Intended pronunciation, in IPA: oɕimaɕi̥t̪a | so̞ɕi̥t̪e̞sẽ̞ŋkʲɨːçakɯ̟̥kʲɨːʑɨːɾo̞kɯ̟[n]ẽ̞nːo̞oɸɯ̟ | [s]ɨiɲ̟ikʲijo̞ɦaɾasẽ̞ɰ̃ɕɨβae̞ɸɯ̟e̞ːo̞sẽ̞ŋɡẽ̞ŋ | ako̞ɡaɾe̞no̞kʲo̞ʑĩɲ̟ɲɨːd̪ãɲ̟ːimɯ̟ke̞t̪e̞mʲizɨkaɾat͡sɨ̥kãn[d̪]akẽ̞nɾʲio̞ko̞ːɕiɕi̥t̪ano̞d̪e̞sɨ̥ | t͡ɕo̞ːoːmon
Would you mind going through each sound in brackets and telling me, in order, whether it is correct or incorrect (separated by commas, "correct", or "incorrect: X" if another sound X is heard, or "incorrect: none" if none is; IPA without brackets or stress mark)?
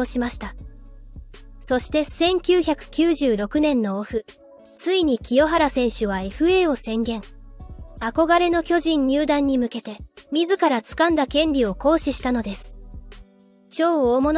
correct, incorrect: t͡s, correct